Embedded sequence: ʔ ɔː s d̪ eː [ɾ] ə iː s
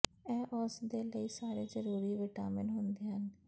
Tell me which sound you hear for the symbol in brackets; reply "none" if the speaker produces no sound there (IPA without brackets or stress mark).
l